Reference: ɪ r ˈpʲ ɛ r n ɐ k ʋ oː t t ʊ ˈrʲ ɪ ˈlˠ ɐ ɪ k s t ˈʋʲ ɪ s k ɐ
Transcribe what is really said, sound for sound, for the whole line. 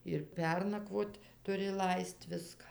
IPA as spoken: ɪ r ˈpʲ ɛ r n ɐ k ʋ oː t t ʊ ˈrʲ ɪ ˈlˠ ɐ ɪ s t ˈʋʲ ɪ s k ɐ